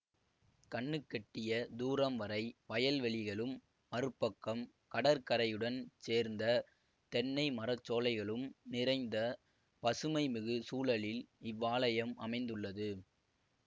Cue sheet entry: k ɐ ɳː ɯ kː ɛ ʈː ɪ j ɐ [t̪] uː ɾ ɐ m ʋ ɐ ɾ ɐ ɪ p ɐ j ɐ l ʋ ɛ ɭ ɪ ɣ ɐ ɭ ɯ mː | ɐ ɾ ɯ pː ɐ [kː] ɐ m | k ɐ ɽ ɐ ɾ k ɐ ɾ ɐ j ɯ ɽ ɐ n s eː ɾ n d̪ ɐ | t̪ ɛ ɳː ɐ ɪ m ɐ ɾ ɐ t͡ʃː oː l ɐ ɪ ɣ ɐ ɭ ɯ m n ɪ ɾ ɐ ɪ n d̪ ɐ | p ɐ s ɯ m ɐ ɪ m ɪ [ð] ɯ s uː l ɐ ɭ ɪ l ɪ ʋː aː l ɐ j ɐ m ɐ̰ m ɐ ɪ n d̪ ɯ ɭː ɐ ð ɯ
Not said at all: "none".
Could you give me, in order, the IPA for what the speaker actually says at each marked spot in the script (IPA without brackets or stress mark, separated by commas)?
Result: d̪, kː, ɣ